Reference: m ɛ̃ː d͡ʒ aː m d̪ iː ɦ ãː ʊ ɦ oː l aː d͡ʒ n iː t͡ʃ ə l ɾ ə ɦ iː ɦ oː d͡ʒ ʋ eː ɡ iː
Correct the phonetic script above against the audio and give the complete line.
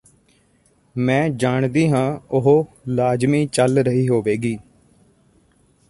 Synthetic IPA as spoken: m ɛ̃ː d͡ʒ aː ɳ d̪ iː ɦ ãː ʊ ɦ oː l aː d͡ʒ m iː t͡ʃ ə l ɾ ə ɦ iː ɦ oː ʋ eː ɡ iː

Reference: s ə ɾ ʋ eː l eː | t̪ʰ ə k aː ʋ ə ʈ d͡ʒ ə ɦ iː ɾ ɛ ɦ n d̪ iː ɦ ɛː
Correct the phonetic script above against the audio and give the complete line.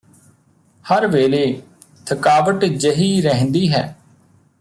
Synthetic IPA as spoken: h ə ɾ ʋ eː l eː | t̪ʰ ə k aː ʋ ə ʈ d͡ʒ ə ɦ iː ɾ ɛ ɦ n d̪ iː ɦ ɛː

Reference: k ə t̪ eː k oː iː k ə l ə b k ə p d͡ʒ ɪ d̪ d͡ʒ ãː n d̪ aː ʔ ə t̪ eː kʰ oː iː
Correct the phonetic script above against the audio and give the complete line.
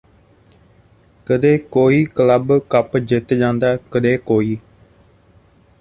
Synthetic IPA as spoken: k ə d̪ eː k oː iː k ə l ə b k ə p d͡ʒ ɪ t̪ d͡ʒ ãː n d̪ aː k ə d̪ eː k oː iː

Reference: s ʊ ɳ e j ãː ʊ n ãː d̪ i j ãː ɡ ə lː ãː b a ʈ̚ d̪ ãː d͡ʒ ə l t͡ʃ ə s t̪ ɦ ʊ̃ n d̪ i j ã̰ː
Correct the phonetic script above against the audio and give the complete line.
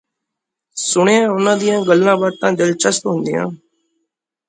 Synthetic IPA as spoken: s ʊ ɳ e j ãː ʊ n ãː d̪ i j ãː ɡ ə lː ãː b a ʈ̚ t̪ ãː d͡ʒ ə l t͡ʃ ə s t̪ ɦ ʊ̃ n d̪ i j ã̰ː

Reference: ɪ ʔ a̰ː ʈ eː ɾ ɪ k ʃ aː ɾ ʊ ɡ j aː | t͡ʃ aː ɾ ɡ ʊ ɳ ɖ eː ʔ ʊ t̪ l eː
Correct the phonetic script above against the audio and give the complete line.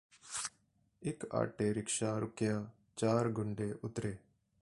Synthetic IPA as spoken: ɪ k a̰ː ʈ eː ɾ ɪ k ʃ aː ɾ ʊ k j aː | t͡ʃ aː ɾ ɡ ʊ ɳ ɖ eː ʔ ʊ t̪ ɾ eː

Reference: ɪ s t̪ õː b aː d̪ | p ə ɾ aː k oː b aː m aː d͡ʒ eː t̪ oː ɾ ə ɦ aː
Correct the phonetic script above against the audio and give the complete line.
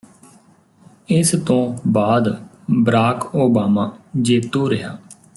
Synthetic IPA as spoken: ɪ s t̪ õː b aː d̪ | b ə ɾ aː k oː b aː m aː d͡ʒ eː t̪ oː ɾ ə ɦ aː

